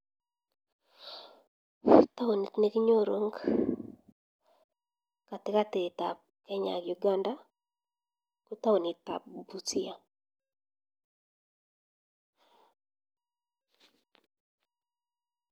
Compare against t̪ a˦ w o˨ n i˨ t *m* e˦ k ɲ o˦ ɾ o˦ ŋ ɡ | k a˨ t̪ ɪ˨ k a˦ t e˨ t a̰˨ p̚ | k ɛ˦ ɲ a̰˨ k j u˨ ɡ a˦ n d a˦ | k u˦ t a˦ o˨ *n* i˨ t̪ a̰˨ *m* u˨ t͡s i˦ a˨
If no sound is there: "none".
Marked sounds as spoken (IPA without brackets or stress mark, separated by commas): n, n, b